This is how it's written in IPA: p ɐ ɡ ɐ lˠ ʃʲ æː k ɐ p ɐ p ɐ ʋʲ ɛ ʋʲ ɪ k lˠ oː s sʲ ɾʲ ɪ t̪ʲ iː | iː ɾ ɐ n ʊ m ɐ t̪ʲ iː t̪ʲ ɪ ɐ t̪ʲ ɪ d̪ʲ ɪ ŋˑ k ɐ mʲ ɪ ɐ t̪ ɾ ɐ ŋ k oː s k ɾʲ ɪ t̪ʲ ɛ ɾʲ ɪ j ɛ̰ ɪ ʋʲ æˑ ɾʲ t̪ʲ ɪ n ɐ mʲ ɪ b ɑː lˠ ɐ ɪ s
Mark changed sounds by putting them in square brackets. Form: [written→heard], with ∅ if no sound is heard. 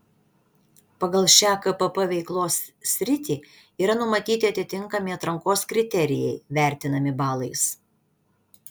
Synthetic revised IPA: p ɐ ɡ ɐ lˠ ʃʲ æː k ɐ p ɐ p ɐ ʋʲ ɛ [ʋʲ→∅] ɪ k lˠ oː s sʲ ɾʲ ɪ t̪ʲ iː | iː ɾ ɐ n ʊ m ɐ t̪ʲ iː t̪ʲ ɪ ɐ t̪ʲ ɪ [d̪ʲ→t̪ʲ] ɪ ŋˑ k ɐ mʲ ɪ ɐ t̪ ɾ ɐ ŋ k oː s k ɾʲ ɪ t̪ʲ ɛ ɾʲ ɪ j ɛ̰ ɪ ʋʲ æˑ ɾʲ t̪ʲ ɪ n ɐ mʲ ɪ b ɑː lˠ ɐ ɪ s